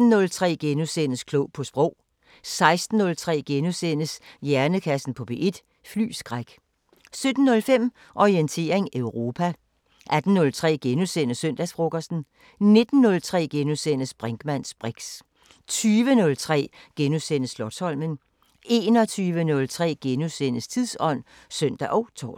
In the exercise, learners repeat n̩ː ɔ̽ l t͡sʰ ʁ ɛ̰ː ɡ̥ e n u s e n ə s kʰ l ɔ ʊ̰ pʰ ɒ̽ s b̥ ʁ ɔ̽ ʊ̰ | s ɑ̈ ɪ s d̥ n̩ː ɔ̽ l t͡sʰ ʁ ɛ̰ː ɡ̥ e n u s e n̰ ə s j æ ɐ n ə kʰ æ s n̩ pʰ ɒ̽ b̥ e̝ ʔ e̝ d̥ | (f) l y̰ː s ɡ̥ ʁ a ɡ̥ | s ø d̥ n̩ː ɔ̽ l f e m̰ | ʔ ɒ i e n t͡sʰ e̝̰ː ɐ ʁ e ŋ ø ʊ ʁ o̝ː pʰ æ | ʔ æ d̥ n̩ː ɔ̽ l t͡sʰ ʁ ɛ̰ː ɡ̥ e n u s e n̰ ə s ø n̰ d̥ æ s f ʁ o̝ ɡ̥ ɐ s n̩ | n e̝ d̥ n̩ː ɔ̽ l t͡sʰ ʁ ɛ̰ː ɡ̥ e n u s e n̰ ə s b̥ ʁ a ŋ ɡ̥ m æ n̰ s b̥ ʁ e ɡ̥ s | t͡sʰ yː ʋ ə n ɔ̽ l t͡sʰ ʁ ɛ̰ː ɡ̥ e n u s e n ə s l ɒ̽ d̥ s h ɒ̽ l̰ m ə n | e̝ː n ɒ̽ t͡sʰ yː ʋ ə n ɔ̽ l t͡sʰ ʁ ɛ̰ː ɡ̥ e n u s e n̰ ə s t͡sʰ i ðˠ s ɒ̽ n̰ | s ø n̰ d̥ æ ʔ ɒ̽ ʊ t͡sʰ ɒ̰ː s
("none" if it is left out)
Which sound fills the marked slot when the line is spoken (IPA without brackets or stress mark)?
f